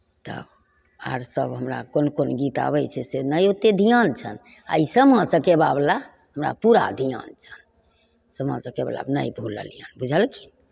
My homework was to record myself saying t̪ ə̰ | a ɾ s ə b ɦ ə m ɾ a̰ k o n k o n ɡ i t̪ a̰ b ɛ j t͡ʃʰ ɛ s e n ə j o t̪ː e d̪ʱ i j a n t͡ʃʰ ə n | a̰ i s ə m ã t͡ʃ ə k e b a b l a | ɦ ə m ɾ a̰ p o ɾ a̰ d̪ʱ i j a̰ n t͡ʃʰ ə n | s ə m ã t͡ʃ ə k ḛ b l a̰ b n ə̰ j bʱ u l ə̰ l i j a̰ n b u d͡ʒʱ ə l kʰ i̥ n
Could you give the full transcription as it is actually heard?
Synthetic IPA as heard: t̪ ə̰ | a ɾ s ə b ɦ ə m ɾ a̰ k o n k o n ɡ i t̪ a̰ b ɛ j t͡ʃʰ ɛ s e n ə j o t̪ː e d̪ʱ i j a n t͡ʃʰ ə n | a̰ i s ə m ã t͡ʃ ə k e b a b l a | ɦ ə m ɾ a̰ p u ɾ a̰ d̪ʱ i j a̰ n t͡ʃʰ ə n | s ə m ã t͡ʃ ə k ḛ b l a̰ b n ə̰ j bʱ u l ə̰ l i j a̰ n b u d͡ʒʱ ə l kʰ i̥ n